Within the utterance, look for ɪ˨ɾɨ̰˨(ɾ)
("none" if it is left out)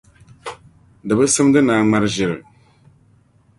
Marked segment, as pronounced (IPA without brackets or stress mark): none